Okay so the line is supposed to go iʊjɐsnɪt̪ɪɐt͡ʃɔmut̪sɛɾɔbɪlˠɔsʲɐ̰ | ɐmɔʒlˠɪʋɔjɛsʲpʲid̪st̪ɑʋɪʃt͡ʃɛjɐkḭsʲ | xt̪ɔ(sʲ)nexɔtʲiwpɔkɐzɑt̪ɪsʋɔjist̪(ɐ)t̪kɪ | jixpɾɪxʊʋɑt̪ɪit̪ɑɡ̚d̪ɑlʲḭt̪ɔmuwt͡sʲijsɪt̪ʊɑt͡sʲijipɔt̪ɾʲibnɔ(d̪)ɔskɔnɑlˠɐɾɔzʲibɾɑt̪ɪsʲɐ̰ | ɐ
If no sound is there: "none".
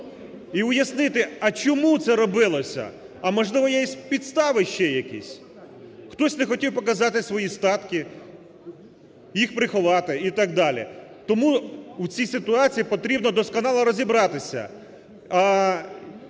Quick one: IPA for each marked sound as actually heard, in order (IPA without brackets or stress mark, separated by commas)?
sʲ, ɑ, d̪